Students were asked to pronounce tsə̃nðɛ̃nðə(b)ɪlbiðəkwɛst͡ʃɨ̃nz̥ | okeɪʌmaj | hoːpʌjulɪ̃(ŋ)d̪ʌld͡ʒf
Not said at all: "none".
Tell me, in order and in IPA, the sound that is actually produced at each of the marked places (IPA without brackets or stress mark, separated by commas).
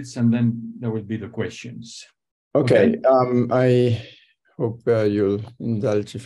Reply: w, n